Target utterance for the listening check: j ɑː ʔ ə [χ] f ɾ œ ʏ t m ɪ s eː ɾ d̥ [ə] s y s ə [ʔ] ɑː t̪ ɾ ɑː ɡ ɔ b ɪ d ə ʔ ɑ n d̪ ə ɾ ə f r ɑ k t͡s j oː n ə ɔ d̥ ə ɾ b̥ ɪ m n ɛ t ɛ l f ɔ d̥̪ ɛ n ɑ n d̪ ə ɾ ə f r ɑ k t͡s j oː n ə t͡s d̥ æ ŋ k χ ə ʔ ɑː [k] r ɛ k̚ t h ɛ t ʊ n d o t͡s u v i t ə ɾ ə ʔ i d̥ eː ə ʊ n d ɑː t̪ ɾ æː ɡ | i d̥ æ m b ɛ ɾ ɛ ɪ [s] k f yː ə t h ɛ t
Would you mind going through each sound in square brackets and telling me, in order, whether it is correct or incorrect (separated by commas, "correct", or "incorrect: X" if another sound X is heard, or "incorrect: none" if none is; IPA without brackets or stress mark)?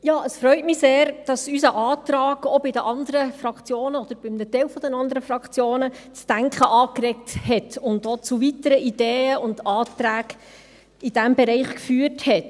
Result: incorrect: s, incorrect: ɑ, correct, correct, incorrect: χ